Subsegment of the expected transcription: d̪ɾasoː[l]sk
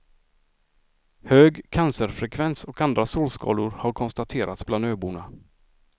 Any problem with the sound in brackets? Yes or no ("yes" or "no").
no